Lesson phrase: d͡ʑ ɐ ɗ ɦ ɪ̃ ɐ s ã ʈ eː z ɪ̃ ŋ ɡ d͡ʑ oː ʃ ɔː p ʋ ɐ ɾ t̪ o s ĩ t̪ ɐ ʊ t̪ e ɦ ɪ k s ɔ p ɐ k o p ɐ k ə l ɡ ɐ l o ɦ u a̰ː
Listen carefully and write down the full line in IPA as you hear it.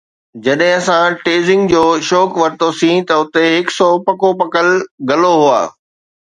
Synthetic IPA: d͡ʑ ɐ ɗ ɦ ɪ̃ ɐ s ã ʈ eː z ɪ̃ ŋ ɡ d͡ʑ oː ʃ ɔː k ʋ ɐ ɾ t̪ o s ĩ t̪ ɐ ʊ t̪ e ɦ ɪ k s ɔ p ɐ k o p ɐ k ə l ɡ ɐ l o ɦ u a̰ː